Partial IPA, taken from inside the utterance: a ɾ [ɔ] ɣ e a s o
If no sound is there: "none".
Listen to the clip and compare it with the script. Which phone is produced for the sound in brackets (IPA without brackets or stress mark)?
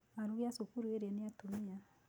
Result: u